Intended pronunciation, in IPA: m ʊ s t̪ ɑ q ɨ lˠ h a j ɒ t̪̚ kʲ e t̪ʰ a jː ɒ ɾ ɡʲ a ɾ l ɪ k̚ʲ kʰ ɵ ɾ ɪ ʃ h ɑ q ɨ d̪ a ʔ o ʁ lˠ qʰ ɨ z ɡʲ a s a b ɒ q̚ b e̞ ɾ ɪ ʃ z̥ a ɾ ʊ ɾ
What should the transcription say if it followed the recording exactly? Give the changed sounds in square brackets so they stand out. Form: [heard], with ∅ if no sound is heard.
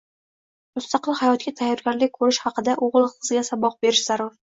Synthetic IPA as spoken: m ʊ s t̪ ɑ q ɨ lˠ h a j ɒ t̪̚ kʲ [a] t̪ʰ a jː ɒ ɾ ɡʲ a ɾ l ɪ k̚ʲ kʰ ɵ ɾ ɪ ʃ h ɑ q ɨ d̪ a ʔ o ʁ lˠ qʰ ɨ z ɡʲ a s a b ɒ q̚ b e̞ ɾ ɪ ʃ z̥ a ɾ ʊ ɾ